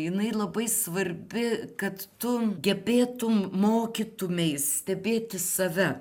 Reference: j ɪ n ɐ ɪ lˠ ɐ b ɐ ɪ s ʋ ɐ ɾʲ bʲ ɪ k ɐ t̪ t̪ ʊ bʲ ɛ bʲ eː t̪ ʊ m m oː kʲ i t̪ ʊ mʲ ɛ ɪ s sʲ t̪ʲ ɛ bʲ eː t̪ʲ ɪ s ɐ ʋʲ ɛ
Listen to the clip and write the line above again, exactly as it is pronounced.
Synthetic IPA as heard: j ɪ n ɐ ɪ lˠ ɐ b ɐ ɪ s ʋ ɐ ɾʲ bʲ ɪ k ɐ t̪ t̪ ʊ ɡʲ ɛ bʲ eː t̪ ʊ m m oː kʲ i t̪ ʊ mʲ ɛ ɪ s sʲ t̪ʲ ɛ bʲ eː t̪ʲ ɪ s ɐ ʋʲ ɛ